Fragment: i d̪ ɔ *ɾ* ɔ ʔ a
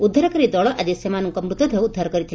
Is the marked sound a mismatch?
yes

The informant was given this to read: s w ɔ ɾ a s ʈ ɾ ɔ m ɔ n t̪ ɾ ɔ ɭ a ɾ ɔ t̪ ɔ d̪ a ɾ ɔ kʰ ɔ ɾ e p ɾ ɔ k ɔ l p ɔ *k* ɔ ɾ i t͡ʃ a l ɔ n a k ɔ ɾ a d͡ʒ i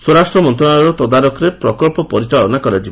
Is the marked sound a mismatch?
yes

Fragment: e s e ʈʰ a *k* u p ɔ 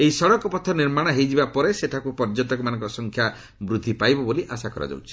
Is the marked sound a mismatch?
no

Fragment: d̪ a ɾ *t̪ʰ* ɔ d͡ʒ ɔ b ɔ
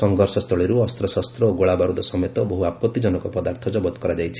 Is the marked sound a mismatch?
no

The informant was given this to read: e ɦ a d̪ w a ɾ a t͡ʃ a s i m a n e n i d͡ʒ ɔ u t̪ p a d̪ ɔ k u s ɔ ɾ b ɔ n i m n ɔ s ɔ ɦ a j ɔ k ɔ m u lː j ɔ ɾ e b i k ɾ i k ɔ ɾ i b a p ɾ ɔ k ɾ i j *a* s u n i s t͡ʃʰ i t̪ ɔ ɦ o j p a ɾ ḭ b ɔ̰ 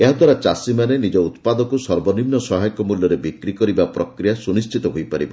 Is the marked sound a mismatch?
no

